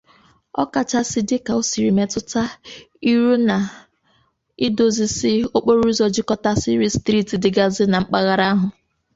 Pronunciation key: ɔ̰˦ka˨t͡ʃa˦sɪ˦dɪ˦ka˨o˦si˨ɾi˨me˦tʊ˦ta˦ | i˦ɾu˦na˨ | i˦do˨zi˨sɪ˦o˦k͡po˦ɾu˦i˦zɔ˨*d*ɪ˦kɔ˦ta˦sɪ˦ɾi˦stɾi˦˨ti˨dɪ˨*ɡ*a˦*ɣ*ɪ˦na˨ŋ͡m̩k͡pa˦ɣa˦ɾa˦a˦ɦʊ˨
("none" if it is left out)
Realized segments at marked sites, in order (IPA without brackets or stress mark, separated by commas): d͡ʒ, ɡ, z